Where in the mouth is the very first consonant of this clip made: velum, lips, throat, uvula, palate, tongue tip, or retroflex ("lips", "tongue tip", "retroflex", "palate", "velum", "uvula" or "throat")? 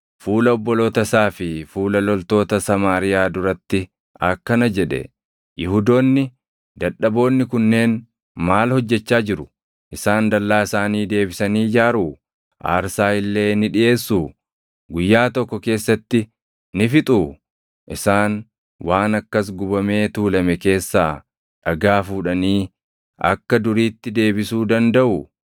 lips